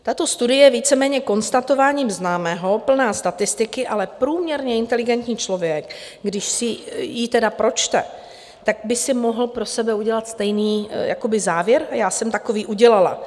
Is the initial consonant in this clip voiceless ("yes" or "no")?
yes